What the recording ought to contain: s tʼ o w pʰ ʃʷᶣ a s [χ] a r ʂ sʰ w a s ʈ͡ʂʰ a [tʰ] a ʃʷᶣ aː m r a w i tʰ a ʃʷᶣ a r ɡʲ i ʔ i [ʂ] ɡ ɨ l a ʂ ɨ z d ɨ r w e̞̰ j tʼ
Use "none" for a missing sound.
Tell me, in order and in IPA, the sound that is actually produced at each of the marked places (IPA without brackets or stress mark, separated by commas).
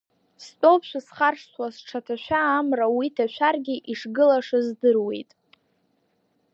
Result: χ, tʰ, ʂ